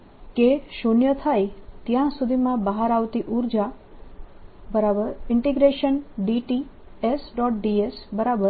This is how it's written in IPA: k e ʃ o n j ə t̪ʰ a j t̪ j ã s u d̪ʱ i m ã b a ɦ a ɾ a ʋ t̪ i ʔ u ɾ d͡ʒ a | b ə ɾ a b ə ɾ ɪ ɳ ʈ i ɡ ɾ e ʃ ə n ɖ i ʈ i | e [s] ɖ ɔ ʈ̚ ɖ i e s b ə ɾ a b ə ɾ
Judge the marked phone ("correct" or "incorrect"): correct